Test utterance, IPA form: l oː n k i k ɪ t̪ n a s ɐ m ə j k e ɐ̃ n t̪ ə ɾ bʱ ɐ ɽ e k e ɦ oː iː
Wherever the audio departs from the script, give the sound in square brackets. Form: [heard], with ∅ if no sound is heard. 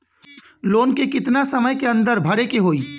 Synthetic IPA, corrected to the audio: l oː n k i k ɪ t̪ n a s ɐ m ə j k e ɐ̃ n [d̪] ə ɾ bʱ ɐ ɽ e k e ɦ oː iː